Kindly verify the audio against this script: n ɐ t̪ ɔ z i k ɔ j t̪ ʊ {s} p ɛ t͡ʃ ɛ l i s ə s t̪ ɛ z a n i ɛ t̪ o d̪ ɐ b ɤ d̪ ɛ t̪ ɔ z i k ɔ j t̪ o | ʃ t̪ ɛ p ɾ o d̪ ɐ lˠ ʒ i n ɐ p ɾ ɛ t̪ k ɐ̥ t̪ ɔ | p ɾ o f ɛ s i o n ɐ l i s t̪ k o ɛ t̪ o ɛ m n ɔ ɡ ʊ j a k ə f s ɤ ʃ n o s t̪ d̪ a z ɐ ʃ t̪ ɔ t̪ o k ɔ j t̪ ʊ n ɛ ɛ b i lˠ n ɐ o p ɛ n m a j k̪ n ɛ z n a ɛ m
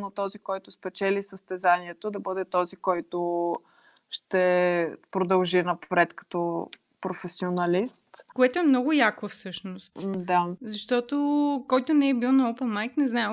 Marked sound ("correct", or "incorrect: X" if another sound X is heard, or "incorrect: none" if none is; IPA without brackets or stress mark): correct